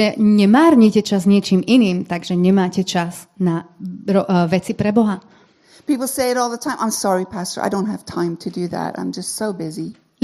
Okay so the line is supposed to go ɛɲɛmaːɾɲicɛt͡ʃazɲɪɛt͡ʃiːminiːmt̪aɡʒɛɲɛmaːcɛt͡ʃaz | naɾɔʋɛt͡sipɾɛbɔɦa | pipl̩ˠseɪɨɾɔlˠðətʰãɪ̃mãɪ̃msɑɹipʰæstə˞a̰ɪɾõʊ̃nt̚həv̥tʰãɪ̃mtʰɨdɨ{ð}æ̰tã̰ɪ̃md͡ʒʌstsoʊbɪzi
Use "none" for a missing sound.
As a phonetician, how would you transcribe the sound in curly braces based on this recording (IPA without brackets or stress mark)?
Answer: ð